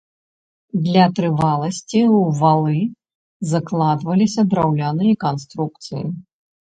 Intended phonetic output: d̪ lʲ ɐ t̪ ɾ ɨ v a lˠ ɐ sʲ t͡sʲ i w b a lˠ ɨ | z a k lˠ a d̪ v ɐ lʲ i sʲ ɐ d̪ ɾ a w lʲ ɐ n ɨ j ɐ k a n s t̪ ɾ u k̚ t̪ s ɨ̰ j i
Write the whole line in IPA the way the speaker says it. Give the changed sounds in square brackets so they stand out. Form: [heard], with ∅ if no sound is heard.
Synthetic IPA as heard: d̪ lʲ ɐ t̪ ɾ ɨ v a lˠ ɐ sʲ t͡sʲ i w [v] a lˠ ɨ | z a k lˠ a d̪ v ɐ lʲ i sʲ ɐ d̪ ɾ a w lʲ [a] n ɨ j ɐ k a n s t̪ ɾ u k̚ t̪ s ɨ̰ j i